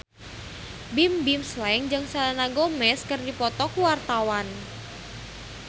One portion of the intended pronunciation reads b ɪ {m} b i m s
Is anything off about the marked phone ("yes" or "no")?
no